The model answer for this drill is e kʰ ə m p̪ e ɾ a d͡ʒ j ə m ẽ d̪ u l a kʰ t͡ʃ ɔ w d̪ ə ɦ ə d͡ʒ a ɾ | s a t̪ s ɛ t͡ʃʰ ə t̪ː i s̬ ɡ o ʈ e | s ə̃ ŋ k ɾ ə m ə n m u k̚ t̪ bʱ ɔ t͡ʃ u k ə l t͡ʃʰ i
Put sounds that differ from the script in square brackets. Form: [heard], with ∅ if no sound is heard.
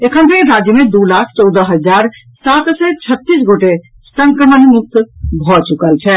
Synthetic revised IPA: e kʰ ə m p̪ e ɾ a d͡ʒ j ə m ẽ d̪ u l a kʰ t͡ʃ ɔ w d̪ ə ɦ ə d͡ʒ a ɾ | s a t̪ s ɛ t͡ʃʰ ə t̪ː i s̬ ɡ o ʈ e | s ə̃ ŋ k ɾ ə m ə n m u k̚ t̪ bʱ ɔ t͡ʃ u k ə l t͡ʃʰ [ɛ]

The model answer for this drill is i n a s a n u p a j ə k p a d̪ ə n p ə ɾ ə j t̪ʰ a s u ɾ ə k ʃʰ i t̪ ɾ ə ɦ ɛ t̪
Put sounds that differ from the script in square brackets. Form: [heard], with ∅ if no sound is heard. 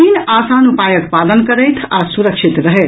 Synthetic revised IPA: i n a s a n u p a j ə k p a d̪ ə n [k] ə ɾ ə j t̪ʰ a s u ɾ ə k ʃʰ i t̪ ɾ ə ɦ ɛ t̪

